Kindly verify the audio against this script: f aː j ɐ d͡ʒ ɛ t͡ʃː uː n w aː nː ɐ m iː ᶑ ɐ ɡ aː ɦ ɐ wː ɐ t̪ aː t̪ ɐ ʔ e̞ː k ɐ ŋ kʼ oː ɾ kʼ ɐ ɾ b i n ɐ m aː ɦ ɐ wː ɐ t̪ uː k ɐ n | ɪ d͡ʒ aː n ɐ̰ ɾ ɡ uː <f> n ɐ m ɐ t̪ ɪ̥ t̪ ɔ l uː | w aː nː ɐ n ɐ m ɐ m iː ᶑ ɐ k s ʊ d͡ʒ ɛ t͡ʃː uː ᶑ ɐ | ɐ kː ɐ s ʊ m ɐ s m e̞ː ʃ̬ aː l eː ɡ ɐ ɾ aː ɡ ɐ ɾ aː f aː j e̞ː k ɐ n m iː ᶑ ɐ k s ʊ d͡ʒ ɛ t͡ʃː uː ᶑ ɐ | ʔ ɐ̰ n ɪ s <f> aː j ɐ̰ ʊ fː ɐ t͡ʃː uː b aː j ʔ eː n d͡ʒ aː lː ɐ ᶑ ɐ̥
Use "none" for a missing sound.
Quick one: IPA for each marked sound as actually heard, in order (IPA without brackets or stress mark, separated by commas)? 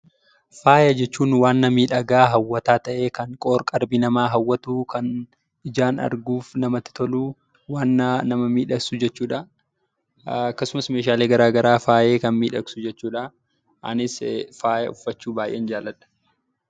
f, f